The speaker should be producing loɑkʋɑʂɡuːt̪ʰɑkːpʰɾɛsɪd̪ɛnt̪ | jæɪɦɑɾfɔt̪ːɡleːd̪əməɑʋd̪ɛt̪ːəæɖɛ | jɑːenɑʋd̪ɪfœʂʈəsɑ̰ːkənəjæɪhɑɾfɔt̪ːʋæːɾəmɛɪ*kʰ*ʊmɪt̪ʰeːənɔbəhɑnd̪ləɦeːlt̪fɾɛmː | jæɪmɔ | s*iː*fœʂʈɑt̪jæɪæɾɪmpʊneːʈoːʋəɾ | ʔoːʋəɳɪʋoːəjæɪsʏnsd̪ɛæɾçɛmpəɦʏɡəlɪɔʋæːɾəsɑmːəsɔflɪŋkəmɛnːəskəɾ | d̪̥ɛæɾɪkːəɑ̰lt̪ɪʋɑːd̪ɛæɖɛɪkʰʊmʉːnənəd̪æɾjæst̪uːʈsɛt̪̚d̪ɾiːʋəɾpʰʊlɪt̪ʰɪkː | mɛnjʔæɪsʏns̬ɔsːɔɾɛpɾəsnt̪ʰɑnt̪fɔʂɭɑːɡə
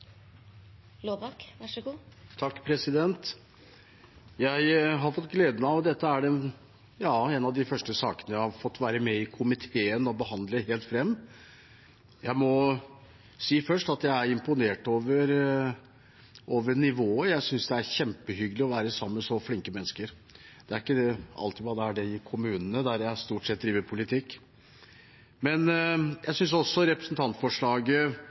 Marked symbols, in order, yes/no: yes, yes

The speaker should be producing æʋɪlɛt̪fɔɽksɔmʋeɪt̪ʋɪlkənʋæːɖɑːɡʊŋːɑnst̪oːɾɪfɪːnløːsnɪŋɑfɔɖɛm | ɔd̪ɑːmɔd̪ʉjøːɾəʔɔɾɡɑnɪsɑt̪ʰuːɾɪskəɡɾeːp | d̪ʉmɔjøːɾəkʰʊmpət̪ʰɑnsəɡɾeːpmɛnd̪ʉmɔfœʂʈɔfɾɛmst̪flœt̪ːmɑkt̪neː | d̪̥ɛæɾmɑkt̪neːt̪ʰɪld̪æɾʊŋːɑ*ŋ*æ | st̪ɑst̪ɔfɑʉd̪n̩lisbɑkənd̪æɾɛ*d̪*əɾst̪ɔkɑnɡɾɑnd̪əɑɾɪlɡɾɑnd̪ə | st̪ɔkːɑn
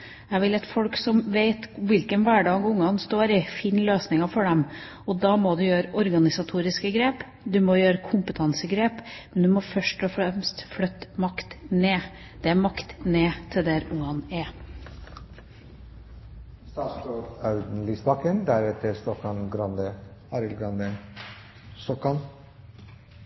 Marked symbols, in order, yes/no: no, no

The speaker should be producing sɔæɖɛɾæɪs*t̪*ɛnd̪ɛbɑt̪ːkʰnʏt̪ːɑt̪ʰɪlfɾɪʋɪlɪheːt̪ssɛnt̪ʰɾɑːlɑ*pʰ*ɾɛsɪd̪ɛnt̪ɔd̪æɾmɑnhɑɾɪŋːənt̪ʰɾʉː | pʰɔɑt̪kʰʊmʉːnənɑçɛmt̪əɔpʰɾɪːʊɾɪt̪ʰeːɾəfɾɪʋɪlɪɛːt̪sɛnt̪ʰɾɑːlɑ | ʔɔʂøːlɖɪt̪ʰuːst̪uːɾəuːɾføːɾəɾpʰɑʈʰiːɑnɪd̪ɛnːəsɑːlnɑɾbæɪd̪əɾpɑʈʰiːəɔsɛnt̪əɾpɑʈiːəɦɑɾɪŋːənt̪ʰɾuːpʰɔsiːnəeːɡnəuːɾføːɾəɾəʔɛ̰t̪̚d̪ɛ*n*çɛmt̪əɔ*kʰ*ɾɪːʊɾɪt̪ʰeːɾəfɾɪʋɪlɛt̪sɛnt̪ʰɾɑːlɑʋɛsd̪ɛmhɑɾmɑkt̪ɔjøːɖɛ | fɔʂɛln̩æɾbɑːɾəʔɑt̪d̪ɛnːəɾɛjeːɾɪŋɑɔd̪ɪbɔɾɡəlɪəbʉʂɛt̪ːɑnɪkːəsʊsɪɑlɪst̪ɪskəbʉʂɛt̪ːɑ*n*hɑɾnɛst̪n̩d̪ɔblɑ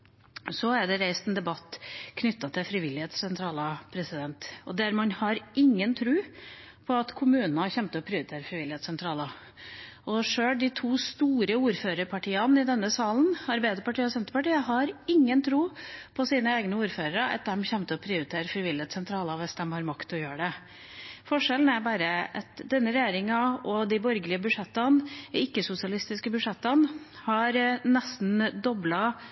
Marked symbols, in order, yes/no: yes, yes, no, no, yes

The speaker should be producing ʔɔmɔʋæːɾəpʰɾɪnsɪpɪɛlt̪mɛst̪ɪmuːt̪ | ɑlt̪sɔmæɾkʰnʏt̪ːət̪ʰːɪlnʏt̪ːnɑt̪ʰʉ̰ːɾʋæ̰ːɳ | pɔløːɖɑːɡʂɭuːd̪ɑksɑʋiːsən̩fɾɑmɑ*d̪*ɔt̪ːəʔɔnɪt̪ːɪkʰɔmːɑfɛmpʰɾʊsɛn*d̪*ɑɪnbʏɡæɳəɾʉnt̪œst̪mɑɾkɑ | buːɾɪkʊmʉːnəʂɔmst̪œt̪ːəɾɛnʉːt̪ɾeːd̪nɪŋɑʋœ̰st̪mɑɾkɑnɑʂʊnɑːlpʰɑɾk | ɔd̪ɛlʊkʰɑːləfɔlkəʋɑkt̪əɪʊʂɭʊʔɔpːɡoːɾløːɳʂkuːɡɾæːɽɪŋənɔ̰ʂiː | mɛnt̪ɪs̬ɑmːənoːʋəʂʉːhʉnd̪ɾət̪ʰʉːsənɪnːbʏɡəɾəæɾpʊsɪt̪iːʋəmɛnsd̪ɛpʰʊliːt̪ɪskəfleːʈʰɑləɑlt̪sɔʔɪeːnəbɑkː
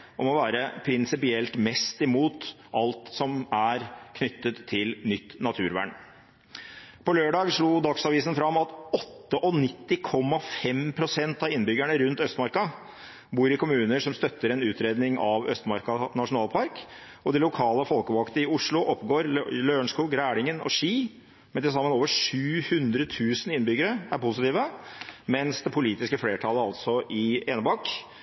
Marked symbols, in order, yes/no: no, no

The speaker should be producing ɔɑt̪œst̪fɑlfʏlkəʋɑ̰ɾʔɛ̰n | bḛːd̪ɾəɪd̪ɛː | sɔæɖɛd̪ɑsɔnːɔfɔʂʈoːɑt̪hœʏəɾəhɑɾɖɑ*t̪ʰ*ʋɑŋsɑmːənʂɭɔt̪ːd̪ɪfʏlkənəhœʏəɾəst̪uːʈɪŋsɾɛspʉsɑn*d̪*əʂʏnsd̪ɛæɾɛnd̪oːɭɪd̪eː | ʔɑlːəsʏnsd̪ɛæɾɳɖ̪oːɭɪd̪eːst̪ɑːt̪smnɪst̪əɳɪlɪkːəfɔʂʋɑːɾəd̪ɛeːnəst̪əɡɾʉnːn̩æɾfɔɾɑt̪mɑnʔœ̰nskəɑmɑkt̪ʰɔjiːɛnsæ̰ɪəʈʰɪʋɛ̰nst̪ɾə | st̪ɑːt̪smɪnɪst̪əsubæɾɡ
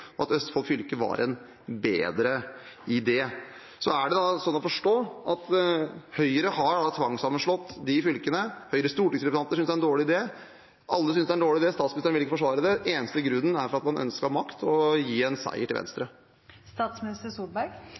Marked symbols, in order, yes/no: yes, no

